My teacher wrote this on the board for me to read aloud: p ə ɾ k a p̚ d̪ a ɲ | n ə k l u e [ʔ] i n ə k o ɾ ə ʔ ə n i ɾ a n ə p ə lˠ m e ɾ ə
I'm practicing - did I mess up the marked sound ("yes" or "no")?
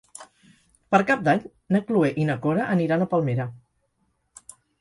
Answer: no